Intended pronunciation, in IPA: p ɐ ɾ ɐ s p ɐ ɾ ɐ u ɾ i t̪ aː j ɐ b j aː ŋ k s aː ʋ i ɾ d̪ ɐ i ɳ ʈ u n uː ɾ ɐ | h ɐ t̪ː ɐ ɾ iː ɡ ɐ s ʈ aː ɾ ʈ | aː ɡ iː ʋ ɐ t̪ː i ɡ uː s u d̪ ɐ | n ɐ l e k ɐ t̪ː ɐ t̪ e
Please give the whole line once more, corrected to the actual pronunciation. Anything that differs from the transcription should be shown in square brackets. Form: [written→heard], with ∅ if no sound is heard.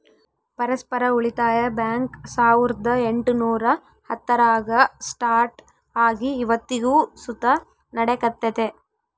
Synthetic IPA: p ɐ ɾ ɐ s p ɐ ɾ ɐ u [ɾ→ɭ] i t̪ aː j ɐ b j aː ŋ k s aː ʋ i ɾ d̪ ɐ [i→e] ɳ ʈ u n uː ɾ ɐ | h ɐ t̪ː ɐ ɾ [iː→aː] ɡ ɐ s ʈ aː ɾ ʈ | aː ɡ iː ʋ ɐ t̪ː i ɡ uː s u [d̪→t̪] ɐ | n ɐ [l→ɽ] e k ɐ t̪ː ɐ t̪ e